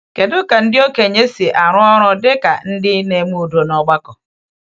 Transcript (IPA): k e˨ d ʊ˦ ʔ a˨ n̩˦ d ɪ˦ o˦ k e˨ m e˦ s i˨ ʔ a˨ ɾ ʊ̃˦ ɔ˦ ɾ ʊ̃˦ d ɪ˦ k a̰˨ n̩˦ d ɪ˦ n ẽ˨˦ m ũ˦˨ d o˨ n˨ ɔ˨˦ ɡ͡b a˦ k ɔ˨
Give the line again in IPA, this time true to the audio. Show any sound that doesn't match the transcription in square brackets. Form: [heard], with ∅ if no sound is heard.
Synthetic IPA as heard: k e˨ d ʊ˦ [k] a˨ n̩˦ d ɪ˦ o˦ k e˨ [ɲ] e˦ s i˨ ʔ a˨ ɾ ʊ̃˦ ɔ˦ ɾ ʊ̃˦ d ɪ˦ k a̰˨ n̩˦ d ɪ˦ n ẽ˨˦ m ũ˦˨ d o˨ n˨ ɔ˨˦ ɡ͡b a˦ k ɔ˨